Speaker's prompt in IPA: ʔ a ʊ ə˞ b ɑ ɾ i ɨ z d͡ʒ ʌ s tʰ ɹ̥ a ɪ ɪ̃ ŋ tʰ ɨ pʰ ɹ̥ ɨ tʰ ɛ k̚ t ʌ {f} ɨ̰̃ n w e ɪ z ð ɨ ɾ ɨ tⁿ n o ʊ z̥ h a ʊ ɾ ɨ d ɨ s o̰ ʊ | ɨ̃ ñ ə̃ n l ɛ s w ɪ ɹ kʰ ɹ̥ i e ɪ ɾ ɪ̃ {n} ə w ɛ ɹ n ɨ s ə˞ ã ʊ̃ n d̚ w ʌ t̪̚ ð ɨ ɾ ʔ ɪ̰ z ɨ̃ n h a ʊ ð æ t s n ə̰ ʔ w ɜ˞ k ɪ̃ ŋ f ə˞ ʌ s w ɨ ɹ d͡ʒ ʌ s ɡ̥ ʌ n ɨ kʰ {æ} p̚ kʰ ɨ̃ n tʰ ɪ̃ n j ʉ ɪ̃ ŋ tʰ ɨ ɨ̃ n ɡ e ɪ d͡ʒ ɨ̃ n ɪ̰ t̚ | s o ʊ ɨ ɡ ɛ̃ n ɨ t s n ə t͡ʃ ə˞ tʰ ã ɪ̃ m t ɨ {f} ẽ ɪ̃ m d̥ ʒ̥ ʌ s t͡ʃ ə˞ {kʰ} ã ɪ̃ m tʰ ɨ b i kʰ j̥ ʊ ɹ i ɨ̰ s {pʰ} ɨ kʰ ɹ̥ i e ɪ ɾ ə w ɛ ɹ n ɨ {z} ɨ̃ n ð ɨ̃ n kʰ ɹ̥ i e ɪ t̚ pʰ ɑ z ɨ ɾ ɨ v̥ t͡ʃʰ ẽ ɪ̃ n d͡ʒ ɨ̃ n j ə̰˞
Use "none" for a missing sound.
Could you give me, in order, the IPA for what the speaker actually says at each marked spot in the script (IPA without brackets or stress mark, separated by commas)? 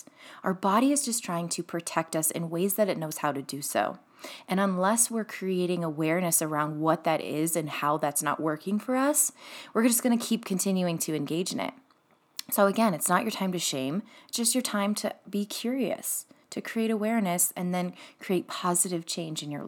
s, ŋ, i, ʃ, tʰ, tʰ, s